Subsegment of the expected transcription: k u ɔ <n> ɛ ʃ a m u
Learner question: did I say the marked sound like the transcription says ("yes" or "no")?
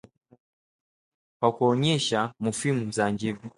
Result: no